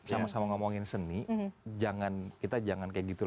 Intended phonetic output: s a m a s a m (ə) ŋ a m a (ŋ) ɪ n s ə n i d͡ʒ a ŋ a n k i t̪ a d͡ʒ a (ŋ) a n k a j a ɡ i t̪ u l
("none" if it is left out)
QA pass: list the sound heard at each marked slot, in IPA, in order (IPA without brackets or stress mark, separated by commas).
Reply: a, ŋ, ŋ